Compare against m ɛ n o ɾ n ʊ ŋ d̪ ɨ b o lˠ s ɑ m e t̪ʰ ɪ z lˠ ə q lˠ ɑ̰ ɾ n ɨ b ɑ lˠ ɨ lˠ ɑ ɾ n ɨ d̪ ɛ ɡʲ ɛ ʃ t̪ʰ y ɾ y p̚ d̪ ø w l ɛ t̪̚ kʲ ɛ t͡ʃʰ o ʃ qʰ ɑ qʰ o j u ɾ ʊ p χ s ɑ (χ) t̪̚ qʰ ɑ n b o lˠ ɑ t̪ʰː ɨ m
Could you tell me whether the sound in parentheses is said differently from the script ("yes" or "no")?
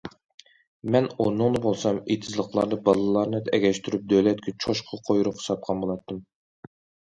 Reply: yes